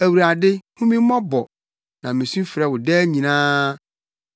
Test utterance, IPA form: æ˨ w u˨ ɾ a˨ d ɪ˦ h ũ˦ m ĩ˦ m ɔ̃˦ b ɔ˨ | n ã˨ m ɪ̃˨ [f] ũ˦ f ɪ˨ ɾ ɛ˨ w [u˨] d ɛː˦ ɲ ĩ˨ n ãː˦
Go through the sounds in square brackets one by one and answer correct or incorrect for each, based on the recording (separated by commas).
incorrect, incorrect